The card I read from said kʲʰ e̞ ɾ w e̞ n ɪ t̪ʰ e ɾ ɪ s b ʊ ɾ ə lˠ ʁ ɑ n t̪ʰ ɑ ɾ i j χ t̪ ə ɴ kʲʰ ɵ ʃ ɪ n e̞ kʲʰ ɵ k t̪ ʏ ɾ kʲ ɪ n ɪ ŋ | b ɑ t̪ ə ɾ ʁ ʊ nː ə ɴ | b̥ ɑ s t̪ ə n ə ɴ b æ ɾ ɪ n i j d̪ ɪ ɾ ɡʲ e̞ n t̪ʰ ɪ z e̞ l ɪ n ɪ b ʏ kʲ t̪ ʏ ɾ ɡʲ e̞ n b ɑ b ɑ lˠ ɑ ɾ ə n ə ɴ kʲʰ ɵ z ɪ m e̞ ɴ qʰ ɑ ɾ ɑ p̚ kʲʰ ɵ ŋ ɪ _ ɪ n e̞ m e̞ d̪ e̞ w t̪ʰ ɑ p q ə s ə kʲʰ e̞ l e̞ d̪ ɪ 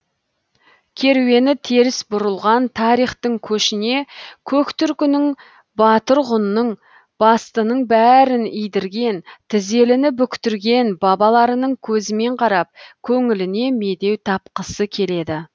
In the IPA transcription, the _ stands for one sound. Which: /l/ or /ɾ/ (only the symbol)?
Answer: l